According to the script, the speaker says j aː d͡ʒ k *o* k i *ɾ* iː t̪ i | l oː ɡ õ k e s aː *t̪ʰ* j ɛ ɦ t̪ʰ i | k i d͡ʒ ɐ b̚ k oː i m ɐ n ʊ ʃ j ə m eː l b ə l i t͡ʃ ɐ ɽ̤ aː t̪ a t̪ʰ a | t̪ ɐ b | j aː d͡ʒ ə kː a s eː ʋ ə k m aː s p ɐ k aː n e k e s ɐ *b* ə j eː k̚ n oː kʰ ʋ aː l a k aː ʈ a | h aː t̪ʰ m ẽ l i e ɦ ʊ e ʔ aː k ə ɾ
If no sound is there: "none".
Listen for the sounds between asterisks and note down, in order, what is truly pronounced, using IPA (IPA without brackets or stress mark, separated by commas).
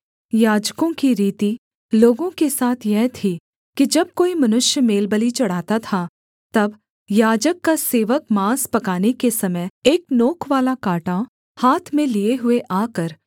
õ, ɾ, t̪ʰ, m